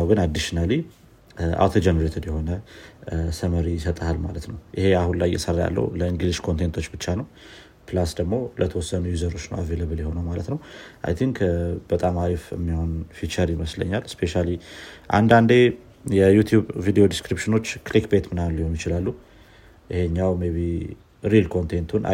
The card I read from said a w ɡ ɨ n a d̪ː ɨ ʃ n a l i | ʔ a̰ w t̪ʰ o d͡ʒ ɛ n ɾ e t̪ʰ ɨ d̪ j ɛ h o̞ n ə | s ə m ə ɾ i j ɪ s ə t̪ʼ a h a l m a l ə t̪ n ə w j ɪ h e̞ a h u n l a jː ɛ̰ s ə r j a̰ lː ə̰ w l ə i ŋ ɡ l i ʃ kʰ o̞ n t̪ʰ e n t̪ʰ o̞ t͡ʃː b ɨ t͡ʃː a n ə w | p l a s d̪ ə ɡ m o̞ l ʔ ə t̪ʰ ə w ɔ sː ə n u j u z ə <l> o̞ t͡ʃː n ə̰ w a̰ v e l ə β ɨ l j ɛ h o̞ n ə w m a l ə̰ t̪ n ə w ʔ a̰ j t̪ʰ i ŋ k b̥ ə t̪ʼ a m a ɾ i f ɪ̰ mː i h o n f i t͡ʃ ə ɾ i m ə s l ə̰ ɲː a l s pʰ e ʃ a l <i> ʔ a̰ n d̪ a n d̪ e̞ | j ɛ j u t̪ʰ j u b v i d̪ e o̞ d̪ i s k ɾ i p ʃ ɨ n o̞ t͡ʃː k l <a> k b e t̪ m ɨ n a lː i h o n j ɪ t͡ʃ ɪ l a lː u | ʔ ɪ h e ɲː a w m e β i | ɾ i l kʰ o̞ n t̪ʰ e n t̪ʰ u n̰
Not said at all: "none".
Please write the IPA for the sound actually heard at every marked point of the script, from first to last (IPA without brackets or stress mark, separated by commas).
ɾ, i, i